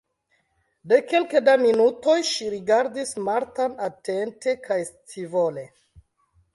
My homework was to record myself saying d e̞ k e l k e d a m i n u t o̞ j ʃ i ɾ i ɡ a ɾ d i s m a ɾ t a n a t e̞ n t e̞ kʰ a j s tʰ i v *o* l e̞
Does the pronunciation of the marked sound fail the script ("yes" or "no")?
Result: no